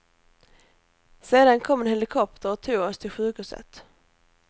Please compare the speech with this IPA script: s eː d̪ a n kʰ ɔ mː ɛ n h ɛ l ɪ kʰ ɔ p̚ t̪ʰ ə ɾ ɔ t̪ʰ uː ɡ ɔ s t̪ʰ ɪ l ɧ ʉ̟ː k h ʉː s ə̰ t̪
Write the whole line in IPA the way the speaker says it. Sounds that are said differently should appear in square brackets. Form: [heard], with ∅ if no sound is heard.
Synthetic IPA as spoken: s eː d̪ a n kʰ ɔ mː ɛ n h ɛ l ɪ kʰ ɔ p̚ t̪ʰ ə ɾ ɔ t̪ʰ uː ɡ ɔ s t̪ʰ ɪ l ɧ ʉ̟ː k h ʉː s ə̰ t̪